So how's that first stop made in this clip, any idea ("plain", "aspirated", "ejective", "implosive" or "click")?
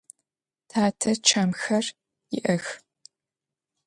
aspirated